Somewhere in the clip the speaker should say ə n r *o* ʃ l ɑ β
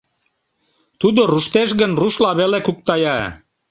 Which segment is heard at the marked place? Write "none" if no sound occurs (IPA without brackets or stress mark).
u